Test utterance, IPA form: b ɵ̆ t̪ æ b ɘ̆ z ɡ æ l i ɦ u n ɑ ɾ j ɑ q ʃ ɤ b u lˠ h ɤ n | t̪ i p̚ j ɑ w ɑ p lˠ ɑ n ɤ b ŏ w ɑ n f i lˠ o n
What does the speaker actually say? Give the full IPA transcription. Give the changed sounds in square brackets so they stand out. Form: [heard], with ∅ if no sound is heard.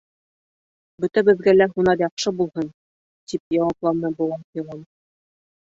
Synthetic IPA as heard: b ɵ̆ t̪ æ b ɘ̆ [ð] ɡ æ l [æ] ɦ u n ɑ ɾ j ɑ q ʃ ɤ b u lˠ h ɤ n | t̪ i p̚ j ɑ w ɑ p lˠ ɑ n ɤ b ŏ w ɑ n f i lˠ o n